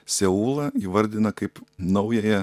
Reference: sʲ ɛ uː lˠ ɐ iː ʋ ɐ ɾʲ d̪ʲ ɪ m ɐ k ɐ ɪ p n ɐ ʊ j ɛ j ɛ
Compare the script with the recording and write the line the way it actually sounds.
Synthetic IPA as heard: sʲ ɛ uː lˠ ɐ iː ʋ ɐ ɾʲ d̪ʲ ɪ n ɐ k ɐ ɪ p n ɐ ʊ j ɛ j ɛ